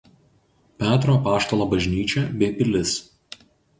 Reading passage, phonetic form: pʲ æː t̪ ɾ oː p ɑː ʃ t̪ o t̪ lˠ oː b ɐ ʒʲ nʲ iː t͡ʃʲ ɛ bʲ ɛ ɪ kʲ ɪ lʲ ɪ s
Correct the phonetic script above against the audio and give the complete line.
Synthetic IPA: pʲ æː t̪ ɾ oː p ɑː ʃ t̪ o lˠ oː b ɐ ʒʲ nʲ iː t͡ʃʲ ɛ bʲ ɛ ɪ pʲ ɪ lʲ ɪ s